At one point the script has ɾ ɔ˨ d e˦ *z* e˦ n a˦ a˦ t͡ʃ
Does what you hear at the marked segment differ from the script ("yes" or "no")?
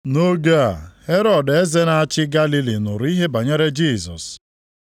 no